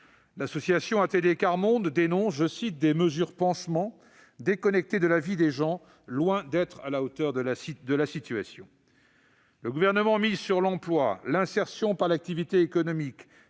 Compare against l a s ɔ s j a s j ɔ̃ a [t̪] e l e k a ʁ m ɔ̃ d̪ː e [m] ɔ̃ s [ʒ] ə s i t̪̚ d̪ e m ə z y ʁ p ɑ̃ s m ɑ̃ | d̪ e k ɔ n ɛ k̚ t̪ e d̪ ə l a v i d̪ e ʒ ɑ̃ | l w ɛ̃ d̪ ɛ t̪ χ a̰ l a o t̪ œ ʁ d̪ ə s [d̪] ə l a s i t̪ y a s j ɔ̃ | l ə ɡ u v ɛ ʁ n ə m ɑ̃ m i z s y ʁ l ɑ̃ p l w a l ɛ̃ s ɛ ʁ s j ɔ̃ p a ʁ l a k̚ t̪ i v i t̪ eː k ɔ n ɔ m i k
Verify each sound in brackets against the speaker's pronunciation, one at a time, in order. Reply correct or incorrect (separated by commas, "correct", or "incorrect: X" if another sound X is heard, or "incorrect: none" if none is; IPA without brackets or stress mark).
correct, incorrect: n, correct, correct